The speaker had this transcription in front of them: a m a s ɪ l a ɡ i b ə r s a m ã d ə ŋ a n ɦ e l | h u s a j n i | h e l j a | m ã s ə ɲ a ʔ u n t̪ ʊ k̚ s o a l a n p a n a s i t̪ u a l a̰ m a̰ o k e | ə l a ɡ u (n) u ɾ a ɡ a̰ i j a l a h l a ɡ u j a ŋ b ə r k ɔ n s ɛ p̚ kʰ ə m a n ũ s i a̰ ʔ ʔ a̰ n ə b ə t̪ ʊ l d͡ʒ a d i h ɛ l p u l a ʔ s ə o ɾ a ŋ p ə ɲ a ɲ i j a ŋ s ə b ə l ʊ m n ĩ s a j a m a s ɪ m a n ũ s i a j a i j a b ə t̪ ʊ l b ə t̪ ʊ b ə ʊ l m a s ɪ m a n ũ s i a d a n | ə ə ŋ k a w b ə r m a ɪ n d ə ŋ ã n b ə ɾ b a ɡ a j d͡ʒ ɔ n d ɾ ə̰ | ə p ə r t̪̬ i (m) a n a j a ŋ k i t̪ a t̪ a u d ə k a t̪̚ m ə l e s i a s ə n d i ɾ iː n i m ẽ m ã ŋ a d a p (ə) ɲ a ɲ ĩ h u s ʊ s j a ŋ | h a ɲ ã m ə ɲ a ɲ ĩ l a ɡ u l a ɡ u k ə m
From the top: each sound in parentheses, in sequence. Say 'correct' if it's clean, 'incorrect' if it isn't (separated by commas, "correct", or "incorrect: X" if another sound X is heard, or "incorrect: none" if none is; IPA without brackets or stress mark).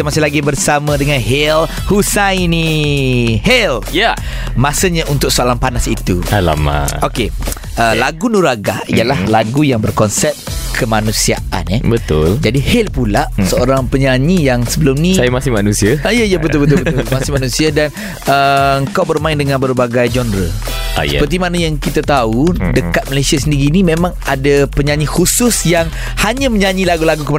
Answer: correct, correct, correct